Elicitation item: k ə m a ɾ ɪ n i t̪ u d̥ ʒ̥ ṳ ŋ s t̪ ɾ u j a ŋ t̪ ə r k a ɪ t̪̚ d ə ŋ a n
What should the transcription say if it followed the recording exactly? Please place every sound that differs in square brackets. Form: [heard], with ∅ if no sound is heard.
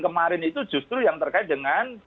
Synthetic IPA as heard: k ə m a ɾ ɪ n i t̪ u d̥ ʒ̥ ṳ [∅] s t̪ ɾ u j a ŋ t̪ ə r k a ɪ t̪̚ d ə ŋ a n